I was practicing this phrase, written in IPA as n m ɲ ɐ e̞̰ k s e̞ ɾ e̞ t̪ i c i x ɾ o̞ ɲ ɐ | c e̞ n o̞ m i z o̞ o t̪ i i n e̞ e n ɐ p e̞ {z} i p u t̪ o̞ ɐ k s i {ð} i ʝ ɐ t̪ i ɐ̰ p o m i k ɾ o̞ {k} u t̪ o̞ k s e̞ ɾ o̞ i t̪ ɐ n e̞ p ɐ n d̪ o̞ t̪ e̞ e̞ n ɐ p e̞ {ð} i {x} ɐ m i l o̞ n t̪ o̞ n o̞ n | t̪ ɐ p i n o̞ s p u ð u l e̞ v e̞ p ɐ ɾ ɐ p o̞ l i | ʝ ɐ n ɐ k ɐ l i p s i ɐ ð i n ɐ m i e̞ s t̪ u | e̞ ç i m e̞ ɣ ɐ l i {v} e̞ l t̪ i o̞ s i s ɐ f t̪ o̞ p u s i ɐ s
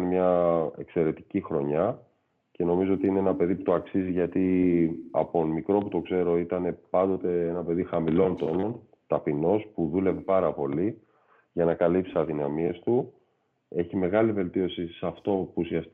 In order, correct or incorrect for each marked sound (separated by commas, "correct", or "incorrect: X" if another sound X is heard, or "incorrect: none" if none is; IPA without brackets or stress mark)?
incorrect: ð, incorrect: z, incorrect: p, correct, correct, correct